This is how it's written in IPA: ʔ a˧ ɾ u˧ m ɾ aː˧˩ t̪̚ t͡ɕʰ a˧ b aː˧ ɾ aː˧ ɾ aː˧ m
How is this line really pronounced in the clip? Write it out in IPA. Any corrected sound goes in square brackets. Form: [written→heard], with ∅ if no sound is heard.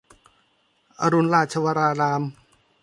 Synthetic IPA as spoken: ʔ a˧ ɾ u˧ [m→n] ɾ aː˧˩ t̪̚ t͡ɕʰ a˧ [b→w] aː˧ ɾ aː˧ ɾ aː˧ m